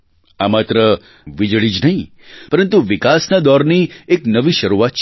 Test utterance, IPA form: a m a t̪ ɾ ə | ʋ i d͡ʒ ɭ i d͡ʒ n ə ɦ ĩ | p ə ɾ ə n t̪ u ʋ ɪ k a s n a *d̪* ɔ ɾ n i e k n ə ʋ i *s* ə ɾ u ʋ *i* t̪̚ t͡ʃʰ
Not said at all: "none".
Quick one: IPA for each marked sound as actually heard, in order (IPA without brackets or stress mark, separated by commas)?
d̪, ʃ, a